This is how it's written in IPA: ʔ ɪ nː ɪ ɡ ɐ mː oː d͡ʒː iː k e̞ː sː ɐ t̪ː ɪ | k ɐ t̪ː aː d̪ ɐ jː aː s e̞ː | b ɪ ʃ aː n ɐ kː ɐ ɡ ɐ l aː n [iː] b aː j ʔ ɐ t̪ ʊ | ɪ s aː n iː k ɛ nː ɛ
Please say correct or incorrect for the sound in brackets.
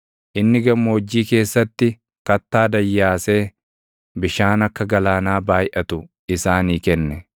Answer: incorrect: aː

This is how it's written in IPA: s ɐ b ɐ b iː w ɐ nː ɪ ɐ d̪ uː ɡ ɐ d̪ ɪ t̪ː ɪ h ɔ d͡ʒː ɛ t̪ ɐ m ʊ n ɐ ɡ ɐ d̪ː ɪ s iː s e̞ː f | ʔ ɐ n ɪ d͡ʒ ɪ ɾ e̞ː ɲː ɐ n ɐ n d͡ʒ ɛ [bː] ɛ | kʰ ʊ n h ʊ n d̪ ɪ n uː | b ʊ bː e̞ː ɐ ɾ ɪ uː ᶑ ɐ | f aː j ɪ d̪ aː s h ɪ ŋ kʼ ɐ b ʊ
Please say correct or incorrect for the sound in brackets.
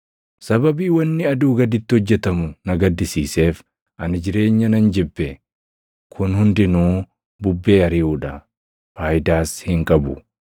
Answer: correct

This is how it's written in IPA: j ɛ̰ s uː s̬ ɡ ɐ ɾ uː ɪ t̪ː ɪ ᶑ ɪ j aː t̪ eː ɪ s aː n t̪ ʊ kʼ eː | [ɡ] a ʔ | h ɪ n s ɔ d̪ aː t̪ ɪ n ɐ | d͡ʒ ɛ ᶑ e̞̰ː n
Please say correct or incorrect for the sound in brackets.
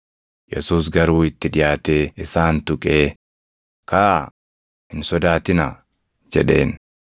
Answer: incorrect: k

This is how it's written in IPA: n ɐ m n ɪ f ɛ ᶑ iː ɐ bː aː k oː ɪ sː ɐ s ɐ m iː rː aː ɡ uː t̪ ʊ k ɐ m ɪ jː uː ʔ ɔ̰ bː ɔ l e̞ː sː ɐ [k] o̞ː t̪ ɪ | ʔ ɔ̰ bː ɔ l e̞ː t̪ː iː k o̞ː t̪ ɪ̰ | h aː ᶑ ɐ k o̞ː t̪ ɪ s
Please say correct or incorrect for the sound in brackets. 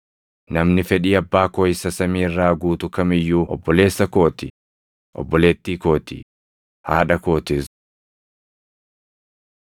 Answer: correct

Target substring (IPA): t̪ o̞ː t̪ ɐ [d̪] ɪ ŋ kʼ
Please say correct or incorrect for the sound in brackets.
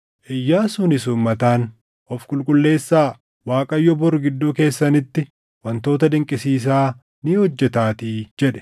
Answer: correct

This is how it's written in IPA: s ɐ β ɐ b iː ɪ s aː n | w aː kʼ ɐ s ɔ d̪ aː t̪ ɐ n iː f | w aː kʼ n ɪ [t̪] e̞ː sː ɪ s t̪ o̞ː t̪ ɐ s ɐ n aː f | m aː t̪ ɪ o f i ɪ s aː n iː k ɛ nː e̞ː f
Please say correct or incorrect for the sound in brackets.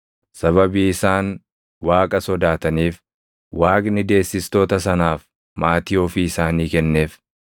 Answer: incorrect: d̪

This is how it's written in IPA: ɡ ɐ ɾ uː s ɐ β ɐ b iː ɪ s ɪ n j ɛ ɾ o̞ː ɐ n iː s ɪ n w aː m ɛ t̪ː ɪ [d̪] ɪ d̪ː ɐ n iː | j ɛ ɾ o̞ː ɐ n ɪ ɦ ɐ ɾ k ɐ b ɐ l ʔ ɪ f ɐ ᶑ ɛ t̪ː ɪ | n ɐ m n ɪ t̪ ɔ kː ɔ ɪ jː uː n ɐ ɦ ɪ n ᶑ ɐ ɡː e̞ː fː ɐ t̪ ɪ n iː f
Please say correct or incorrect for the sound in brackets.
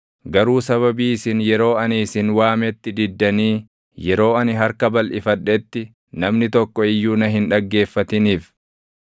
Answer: correct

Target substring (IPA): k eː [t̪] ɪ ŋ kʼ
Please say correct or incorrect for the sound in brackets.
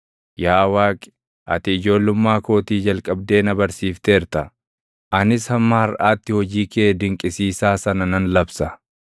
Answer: incorrect: d̪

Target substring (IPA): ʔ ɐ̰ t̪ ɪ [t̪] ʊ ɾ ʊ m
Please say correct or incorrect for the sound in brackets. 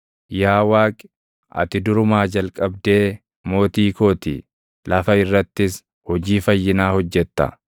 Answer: incorrect: d̪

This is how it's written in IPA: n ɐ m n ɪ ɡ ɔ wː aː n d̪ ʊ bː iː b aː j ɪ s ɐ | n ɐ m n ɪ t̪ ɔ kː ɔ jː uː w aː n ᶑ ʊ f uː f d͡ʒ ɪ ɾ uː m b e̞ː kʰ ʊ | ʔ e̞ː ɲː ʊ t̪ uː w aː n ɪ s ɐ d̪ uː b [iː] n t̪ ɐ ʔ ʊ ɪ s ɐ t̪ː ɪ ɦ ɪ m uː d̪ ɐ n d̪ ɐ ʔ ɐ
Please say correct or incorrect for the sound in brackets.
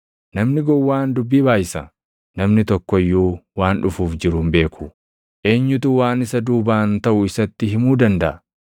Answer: incorrect: aː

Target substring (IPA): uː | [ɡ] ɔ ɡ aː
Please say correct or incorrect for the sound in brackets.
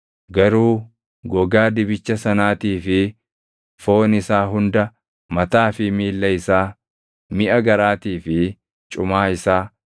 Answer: correct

